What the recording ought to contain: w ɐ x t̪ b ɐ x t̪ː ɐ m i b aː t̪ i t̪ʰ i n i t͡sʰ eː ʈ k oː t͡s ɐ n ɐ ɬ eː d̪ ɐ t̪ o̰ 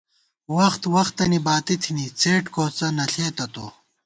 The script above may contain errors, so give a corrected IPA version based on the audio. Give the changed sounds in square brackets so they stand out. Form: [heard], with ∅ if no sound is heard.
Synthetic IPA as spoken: w ɐ x t̪ [w] ɐ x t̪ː ɐ [n] i b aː t̪ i t̪ʰ i n i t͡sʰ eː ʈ k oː t͡s ɐ n ɐ ɬ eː [t̪] ɐ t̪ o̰